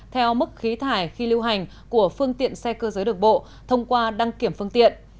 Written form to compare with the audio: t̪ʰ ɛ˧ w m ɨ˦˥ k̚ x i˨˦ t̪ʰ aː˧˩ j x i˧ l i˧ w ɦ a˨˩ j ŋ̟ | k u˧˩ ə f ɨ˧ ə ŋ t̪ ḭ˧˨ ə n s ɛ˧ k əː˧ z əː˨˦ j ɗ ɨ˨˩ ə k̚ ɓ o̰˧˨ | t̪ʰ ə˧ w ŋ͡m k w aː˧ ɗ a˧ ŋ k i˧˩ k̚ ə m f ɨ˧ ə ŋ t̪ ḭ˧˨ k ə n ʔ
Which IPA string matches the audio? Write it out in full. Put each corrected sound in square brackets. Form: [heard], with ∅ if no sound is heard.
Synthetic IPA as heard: t̪ʰ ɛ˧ w m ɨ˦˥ k̚ x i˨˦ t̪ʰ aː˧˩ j x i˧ l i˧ w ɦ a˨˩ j ŋ̟ | k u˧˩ ə f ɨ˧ ə ŋ t̪ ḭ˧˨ ə n s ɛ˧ k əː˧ z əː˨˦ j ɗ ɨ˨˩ ə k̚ ɓ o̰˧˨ | t̪ʰ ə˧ w ŋ͡m k w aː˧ ɗ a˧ ŋ k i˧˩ [∅] ə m f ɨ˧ ə ŋ t̪ ḭ˧˨ [∅] ə n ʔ